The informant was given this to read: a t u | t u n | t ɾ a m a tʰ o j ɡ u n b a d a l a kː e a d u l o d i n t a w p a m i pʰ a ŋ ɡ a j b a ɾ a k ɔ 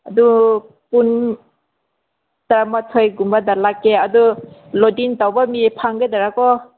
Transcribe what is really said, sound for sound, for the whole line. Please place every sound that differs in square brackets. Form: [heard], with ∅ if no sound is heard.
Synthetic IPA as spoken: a [d] u | [p] u n | t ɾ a m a tʰ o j ɡ u [m] b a d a l a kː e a d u l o d i n t a w [b] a m i pʰ a ŋ ɡ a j [d] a ɾ a k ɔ